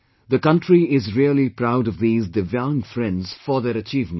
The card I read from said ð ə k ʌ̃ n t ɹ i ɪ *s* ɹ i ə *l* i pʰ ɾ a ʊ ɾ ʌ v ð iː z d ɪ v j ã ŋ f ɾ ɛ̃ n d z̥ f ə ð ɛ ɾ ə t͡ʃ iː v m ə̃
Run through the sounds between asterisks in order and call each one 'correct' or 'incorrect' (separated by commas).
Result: incorrect, correct